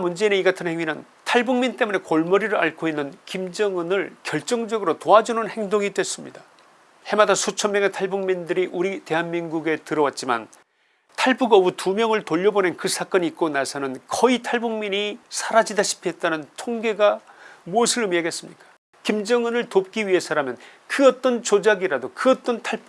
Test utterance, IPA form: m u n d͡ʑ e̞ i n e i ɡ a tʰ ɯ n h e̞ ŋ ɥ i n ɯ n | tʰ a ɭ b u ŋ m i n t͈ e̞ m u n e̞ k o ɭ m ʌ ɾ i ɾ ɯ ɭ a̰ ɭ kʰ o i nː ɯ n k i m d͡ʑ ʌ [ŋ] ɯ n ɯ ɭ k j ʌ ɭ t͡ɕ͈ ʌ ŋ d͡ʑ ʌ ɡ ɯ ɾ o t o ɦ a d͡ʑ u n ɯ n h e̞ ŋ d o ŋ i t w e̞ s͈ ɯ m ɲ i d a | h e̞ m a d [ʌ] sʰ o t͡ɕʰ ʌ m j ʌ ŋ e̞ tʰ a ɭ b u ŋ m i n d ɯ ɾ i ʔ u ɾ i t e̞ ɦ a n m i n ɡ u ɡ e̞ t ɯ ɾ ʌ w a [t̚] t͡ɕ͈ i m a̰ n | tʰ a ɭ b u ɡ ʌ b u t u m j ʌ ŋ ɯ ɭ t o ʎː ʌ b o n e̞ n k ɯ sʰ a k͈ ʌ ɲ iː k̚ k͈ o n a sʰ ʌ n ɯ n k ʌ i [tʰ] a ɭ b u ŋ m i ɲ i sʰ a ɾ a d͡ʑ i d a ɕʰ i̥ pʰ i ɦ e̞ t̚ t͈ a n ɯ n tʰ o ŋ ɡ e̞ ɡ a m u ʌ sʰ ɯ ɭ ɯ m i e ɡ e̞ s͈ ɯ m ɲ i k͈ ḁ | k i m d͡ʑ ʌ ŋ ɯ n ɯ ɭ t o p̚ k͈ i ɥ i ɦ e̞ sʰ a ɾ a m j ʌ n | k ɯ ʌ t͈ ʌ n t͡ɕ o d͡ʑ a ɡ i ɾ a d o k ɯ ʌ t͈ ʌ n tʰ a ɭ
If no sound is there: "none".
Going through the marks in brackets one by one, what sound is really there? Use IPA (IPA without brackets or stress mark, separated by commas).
ŋ, a, t̚, tʰ